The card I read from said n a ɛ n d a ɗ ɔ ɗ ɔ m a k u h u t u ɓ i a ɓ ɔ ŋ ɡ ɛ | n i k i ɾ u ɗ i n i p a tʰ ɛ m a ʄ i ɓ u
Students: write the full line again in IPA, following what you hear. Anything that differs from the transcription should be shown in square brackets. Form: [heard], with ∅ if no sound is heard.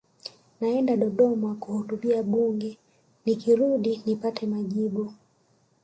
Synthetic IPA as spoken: n a ɛ n d a ɗ ɔ ɗ ɔ m a k u h u t u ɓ i a ɓ [u] ŋ ɡ ɛ | n i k i ɾ u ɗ i n i p a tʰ ɛ m a ʄ i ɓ u